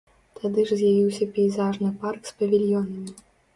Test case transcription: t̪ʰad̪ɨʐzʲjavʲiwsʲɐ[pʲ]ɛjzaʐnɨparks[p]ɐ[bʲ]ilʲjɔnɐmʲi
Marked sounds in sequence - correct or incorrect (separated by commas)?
correct, correct, incorrect